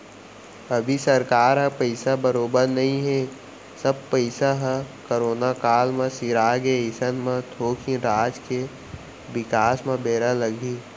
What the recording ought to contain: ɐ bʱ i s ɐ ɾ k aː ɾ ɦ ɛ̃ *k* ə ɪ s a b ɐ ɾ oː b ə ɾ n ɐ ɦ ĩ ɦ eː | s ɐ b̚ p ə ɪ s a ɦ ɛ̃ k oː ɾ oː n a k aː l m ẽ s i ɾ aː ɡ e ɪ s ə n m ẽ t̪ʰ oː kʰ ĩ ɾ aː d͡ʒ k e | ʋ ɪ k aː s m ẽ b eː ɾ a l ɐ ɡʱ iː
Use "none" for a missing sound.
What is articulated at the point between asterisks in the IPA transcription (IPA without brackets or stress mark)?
p